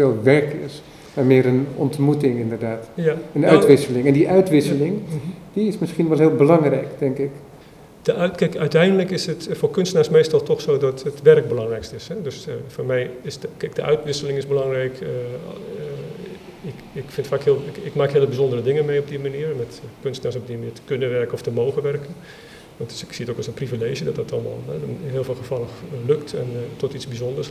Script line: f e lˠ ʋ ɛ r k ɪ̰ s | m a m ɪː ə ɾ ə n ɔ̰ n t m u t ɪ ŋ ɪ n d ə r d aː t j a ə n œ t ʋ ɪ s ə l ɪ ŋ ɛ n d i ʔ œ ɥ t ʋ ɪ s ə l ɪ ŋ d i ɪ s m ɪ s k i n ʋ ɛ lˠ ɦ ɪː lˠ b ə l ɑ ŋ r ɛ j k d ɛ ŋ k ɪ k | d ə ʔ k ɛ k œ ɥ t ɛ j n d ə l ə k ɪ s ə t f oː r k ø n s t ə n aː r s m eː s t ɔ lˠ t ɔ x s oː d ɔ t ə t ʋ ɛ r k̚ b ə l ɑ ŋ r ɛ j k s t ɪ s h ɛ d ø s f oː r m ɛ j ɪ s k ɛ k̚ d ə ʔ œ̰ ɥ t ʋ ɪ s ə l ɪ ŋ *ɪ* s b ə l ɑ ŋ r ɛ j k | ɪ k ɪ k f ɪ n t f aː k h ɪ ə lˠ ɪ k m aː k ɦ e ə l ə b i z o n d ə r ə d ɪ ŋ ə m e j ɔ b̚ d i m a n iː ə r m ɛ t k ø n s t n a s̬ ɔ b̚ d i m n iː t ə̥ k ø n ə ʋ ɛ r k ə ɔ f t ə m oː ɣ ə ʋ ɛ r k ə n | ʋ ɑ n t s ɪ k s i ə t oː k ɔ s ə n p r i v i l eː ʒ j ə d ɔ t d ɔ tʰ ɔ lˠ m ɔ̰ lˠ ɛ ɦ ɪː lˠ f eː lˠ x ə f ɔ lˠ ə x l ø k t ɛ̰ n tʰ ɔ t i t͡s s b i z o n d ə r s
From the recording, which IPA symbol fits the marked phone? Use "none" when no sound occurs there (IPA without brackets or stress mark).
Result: ɪ